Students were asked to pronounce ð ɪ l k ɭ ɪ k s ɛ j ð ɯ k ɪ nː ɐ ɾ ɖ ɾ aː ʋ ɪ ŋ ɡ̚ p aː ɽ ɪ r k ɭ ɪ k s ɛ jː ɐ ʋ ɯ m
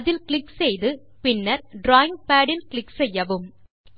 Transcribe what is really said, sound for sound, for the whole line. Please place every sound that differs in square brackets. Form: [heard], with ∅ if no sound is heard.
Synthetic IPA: ð ɪ l k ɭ ɪ k s ɛ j ð ɯ [p] ɪ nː ɐ ɾ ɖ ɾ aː [∅] ɪ ŋ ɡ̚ p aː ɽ ɪ [l] k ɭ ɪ k s ɛ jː ɐ ʋ ɯ m